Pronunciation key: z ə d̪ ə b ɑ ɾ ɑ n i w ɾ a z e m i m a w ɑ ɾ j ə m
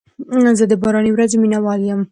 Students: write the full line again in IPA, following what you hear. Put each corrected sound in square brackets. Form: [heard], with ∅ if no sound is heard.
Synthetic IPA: z ə d̪ ə b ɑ ɾ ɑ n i w ɾ a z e m i [n] a w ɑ [l] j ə m